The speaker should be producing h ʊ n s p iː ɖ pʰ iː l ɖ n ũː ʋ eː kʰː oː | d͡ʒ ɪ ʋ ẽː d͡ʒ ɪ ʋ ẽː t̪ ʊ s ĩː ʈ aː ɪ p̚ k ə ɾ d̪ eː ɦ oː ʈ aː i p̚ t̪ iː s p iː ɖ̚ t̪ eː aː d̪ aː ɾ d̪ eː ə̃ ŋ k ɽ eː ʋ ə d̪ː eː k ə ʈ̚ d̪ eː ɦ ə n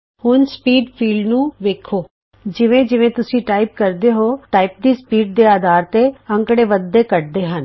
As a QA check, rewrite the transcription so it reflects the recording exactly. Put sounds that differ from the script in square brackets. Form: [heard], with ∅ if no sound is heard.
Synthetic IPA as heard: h ʊ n s p iː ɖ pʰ iː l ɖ n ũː ʋ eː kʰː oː | d͡ʒ ɪ ʋ ẽː d͡ʒ ɪ ʋ ẽː t̪ ʊ s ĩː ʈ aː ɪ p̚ k ə ɾ d̪ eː ɦ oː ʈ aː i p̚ [d̪] iː s p iː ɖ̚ [d̪] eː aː d̪ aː ɾ [t̪] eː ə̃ ŋ k ɽ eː ʋ ə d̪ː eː k ə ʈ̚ d̪ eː ɦ ə n